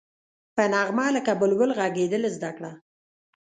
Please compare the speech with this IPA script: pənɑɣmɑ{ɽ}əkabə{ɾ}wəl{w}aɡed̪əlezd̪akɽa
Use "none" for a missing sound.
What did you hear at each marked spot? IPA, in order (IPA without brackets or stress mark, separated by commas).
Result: l, l, ɣ